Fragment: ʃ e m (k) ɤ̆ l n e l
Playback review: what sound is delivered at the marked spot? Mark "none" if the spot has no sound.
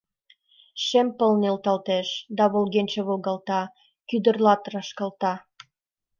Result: p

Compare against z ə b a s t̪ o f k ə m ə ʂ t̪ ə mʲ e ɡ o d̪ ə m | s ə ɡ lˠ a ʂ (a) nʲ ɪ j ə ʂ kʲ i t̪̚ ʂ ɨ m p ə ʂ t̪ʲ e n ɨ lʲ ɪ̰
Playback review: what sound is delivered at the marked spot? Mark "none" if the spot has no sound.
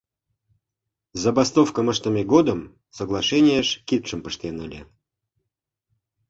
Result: ɛ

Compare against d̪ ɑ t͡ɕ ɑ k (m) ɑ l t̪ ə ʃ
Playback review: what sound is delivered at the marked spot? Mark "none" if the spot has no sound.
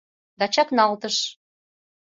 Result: n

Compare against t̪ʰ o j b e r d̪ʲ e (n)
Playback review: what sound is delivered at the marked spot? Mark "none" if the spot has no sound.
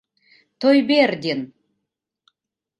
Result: n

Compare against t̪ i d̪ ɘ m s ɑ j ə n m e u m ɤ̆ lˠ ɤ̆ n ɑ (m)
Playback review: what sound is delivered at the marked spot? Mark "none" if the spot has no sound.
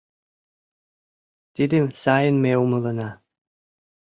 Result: none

